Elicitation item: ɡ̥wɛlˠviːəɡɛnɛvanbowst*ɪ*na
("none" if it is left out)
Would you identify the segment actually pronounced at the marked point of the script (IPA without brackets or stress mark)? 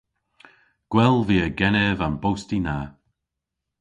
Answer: i